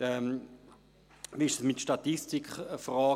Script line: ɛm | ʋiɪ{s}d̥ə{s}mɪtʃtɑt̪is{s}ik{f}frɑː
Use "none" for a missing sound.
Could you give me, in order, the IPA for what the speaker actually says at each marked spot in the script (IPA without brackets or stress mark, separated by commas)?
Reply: ʃ, s, t, χ